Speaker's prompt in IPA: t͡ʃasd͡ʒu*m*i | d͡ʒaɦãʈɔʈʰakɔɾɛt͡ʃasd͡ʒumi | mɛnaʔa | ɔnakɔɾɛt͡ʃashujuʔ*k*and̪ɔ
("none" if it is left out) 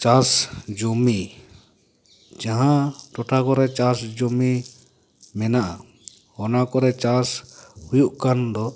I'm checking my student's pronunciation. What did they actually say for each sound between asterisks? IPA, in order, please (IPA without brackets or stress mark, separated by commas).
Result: m, k